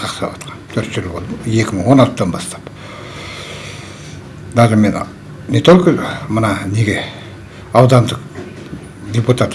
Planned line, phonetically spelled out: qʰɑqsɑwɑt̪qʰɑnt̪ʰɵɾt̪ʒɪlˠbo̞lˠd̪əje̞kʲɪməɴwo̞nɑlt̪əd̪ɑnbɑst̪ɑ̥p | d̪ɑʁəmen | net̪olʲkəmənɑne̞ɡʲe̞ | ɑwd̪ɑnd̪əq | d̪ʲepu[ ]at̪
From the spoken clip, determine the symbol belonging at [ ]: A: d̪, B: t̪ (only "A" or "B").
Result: B